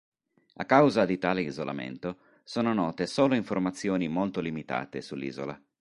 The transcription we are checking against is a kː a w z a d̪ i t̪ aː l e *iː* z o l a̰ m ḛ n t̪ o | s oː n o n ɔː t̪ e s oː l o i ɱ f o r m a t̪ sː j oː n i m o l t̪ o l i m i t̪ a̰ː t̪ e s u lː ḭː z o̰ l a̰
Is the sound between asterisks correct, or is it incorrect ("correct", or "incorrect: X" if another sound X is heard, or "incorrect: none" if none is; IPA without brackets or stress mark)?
incorrect: i